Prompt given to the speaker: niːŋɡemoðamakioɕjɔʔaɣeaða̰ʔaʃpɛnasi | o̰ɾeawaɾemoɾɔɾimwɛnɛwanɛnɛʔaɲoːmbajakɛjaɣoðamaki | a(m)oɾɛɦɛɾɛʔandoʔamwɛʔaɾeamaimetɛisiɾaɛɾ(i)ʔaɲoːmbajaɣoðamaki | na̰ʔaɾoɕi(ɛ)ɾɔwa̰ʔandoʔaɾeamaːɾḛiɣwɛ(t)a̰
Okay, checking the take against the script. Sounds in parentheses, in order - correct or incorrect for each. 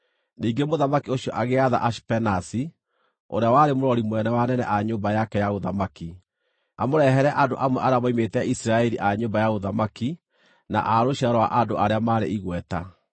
correct, correct, incorrect, correct

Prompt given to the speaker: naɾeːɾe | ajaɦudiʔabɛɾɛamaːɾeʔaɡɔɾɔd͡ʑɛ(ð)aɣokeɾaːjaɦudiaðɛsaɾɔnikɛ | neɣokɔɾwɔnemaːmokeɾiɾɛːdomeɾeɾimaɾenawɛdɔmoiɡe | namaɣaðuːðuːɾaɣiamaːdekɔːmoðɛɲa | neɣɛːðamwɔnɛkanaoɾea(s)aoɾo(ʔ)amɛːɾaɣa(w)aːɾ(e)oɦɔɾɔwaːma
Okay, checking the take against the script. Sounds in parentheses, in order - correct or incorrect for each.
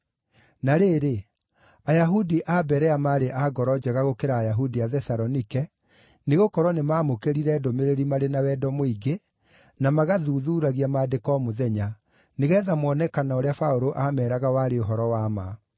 incorrect, incorrect, correct, correct, correct

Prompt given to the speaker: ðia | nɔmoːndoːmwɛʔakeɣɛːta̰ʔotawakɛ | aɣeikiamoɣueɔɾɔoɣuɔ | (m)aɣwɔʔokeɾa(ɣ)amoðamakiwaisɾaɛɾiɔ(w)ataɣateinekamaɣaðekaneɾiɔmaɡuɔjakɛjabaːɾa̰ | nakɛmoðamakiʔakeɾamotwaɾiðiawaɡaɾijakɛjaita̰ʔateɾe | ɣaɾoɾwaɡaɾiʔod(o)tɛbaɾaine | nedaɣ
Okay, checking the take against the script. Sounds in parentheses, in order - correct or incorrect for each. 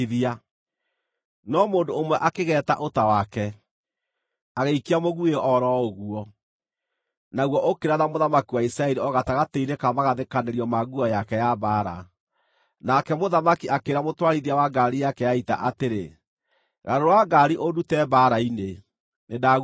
incorrect, incorrect, incorrect, incorrect

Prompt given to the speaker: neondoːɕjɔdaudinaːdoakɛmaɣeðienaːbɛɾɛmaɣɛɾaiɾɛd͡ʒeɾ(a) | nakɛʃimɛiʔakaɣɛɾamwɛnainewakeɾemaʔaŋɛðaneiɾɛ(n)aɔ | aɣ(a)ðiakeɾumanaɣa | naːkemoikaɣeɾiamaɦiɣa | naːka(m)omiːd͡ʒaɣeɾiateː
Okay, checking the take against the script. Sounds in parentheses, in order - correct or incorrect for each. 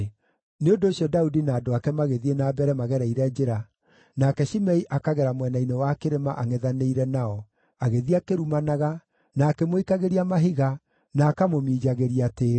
correct, correct, incorrect, correct

